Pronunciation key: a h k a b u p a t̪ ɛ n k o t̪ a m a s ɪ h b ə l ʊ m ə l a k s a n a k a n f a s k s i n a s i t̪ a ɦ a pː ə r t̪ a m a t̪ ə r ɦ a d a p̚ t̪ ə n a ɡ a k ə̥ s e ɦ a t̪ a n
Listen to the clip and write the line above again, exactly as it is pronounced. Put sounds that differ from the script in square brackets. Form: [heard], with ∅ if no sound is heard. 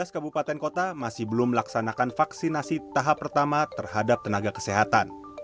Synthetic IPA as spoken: a [s] k a b u p a t̪ ɛ n k o t̪ a m a s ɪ h b ə l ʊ m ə l a k s a n a k a n f a [∅] k s i n a s i t̪ a ɦ a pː ə r t̪ a m a t̪ ə r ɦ a d a p̚ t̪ ə n a ɡ a k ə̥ s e ɦ a t̪ a n